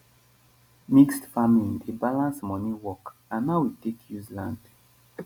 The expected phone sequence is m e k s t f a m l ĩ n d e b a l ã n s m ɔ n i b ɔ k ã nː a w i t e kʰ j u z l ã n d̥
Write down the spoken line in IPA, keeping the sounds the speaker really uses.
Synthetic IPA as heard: m i k s t f a m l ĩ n d e b a l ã n s m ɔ n i w ɔ k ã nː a w i t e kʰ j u z l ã n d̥